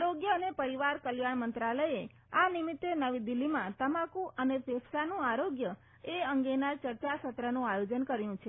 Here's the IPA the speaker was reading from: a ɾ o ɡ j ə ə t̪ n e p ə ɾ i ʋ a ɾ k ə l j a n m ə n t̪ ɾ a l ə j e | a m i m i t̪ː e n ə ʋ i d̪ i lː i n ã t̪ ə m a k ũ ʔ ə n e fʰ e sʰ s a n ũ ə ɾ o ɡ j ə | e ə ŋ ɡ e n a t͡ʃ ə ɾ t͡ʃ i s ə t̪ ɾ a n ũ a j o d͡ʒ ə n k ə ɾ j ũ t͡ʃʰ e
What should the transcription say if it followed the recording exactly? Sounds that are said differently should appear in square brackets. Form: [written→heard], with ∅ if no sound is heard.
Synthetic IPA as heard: a ɾ o ɡ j ə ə [t̪→∅] n e p ə ɾ i ʋ a ɾ k ə l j a [n→ɳ] m ə n t̪ ɾ a l ə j e | a [m→n] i m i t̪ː e n ə ʋ i d̪ i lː i [n→m] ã t̪ ə m a k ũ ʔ ə n e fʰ e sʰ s a n ũ [ə→a] ɾ o ɡ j ə | e ə ŋ ɡ e n a t͡ʃ ə ɾ t͡ʃ [i→a] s ə t̪ ɾ [a→ə] n ũ a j o d͡ʒ ə n k ə ɾ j ũ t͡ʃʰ e

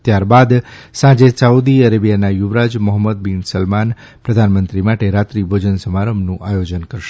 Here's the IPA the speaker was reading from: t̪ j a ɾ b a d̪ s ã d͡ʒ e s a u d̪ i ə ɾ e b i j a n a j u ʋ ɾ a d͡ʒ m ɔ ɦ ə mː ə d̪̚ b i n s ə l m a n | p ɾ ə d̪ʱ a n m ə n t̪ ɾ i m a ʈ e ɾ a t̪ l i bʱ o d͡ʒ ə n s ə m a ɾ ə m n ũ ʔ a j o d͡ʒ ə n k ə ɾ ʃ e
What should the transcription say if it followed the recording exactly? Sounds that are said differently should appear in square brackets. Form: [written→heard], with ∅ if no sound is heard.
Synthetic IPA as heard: t̪ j a ɾ b a d̪ s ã d͡ʒ e s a u d̪ i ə ɾ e b i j a n a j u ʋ ɾ a d͡ʒ m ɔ ɦ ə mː ə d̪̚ b i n s ə l m a n | p ɾ ə d̪ʱ a n m ə n t̪ ɾ i m a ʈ e ɾ a t̪ [l→ɾ] i bʱ o d͡ʒ ə n s ə m a ɾ ə m n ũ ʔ a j o d͡ʒ ə n k ə ɾ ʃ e

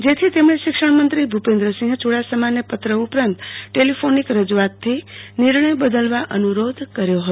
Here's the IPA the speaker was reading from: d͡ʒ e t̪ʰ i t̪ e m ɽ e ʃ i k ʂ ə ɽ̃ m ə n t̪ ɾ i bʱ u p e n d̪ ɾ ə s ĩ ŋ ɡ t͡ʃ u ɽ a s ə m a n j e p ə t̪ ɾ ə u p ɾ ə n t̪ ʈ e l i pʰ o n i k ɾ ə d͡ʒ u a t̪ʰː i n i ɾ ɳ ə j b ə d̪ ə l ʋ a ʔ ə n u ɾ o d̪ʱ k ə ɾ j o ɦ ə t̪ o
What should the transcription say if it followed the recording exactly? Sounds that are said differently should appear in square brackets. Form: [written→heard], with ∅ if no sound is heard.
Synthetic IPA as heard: d͡ʒ e t̪ʰ i t̪ e m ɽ e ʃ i k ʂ ə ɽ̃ m ə n t̪ ɾ i bʱ u p e n d̪ ɾ ə s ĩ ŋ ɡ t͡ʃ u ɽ a s ə m a n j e p ə t̪ ɾ ə u p ɾ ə n t̪ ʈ e l i pʰ o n i k ɾ ə d͡ʒ u a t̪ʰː i n i ɾ ɳ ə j b ə d̪ ə l ʋ a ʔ ə n u ɾ o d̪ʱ k ə ɾ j o ɦ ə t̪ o

